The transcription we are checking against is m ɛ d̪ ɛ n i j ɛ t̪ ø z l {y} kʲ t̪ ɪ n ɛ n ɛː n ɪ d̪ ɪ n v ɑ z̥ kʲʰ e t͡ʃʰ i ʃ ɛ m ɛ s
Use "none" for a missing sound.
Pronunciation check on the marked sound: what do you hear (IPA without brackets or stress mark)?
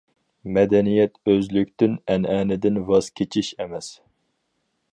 y